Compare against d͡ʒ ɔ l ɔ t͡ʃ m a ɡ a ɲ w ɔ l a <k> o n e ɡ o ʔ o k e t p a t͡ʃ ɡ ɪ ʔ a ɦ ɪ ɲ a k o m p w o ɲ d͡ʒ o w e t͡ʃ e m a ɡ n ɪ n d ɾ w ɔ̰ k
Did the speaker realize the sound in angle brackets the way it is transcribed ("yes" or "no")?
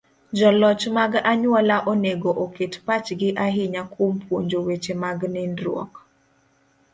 no